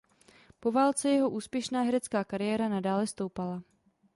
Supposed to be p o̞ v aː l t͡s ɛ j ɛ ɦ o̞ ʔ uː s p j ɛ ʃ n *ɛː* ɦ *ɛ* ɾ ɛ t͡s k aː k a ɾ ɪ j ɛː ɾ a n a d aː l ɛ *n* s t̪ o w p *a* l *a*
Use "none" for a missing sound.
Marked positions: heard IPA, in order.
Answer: aː, ɛ, none, a, a

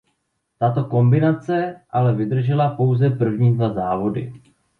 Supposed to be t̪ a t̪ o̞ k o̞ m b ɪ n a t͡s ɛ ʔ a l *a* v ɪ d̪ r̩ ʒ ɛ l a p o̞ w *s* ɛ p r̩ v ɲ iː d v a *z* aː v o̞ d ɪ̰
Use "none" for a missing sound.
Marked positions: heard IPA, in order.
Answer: ɛ, z, z

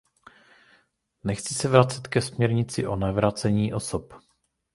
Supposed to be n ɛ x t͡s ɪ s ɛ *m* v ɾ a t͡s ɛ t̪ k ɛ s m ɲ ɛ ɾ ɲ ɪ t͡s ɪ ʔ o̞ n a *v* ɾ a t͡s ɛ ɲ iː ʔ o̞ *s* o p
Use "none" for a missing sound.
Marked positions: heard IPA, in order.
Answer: none, v, s

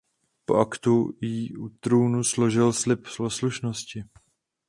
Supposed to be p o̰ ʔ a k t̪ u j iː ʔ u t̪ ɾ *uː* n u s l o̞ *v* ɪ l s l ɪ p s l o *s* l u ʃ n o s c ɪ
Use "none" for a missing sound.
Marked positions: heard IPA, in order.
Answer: uː, ʒ, s

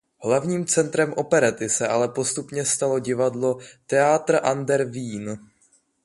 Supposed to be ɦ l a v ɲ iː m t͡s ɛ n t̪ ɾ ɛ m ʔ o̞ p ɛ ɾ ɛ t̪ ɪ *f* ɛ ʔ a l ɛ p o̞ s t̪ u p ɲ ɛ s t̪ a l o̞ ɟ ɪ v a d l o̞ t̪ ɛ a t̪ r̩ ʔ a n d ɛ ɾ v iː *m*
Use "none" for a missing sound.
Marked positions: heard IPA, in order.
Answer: s, n

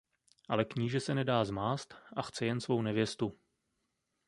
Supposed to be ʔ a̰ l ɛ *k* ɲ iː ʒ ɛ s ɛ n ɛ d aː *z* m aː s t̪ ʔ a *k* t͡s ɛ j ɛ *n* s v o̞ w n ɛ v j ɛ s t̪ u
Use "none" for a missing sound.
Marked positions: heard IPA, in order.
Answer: k, z, x, n

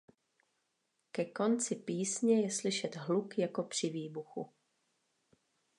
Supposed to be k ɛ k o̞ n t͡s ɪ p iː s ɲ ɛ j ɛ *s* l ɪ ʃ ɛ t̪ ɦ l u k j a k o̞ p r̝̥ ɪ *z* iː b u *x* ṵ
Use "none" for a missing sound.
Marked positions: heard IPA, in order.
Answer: s, v, x

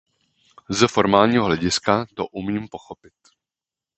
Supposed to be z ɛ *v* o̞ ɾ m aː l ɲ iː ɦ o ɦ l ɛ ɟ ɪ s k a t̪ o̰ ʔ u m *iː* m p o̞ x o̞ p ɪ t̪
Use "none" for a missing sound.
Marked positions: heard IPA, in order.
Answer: f, iː

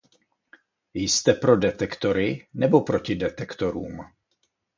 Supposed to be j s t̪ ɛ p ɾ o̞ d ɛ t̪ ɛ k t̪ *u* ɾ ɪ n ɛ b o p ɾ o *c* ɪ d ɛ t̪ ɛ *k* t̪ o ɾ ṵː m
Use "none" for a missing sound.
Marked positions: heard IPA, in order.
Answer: o, c, k

